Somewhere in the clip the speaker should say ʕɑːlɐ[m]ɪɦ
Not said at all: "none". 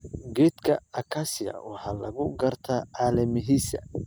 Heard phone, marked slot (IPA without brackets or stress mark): m